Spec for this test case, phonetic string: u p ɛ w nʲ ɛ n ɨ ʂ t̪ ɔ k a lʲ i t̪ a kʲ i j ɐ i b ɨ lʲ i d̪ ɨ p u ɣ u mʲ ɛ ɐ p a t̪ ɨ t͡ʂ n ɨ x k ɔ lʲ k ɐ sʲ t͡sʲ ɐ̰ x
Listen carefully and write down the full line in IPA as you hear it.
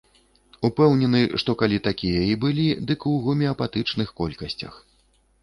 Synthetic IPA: u p ɛ w nʲ ɛ n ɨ ʂ t̪ ɔ k a lʲ i t̪ a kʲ i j ɐ i b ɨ lʲ i d̪ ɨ k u ɣ u mʲ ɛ ɐ p a t̪ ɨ t͡ʂ n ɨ x k ɔ lʲ k ɐ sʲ t͡sʲ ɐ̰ x